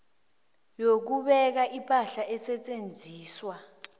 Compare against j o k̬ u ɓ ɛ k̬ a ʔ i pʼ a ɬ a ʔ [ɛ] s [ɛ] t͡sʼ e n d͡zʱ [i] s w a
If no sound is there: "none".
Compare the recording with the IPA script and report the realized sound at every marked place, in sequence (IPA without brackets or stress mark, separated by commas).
ɛ, ɛ, iː